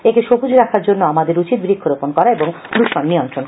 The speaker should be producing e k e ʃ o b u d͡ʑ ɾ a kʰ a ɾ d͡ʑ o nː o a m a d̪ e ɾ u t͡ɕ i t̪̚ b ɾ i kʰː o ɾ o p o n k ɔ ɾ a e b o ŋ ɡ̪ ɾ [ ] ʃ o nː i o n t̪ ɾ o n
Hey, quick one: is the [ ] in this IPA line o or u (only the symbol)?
u